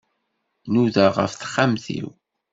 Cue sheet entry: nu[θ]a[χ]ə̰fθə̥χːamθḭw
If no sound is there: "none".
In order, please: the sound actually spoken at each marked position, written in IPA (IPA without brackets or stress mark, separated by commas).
ð, ʁ